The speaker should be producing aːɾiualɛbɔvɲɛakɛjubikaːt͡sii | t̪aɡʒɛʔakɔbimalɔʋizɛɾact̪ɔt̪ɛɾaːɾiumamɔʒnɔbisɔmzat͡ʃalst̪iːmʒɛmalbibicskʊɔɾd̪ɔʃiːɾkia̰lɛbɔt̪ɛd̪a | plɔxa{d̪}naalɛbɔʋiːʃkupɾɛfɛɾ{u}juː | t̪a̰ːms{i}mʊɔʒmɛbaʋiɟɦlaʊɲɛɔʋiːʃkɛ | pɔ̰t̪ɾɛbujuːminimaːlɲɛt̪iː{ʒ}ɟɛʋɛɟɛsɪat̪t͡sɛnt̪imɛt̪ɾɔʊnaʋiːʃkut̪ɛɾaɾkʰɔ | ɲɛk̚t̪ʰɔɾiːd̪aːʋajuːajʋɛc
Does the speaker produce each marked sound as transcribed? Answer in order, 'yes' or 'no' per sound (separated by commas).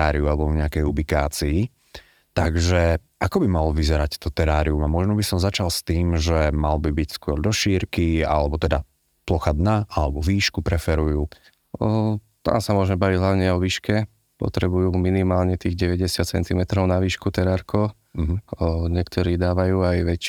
yes, yes, no, no